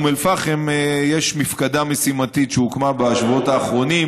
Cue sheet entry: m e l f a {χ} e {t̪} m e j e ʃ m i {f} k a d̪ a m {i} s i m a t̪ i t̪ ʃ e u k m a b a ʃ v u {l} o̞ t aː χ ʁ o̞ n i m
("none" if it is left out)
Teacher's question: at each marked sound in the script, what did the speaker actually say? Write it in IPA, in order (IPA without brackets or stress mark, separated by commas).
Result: χ, none, f, e, none